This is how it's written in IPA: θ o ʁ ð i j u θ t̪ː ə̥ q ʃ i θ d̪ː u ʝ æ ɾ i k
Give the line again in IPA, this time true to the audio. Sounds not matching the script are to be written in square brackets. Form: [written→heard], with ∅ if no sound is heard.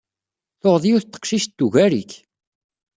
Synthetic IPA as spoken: θ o ʁ ð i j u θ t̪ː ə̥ q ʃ i [θ→ʃ] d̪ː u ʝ æ ɾ i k